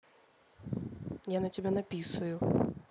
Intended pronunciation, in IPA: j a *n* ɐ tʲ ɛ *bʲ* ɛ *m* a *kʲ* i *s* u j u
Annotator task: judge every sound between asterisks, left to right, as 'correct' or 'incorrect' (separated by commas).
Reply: correct, correct, incorrect, incorrect, correct